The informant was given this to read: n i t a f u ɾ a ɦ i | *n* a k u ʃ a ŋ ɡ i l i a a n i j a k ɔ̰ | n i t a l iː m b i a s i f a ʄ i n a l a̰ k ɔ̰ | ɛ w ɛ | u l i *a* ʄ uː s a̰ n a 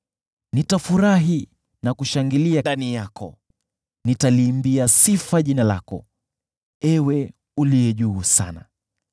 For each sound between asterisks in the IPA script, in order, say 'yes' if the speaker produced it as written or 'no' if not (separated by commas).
yes, no